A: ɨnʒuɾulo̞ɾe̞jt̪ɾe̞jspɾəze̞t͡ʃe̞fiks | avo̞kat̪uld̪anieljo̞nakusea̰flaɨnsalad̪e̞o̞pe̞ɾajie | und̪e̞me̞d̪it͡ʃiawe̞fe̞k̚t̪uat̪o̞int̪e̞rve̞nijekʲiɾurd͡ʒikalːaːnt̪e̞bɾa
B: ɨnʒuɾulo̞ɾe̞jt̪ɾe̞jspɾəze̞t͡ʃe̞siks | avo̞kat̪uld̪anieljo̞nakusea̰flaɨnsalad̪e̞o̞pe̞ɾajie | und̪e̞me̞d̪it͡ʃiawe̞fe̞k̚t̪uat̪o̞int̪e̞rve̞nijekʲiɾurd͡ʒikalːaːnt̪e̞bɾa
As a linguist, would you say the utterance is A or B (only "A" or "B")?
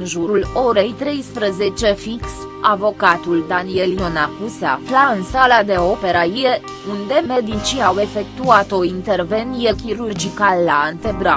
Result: A